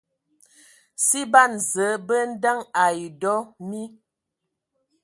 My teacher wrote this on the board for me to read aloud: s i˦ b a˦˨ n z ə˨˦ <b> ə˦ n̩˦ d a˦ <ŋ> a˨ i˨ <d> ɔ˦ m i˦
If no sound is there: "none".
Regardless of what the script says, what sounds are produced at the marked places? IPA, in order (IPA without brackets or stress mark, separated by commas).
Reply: b, ŋ, d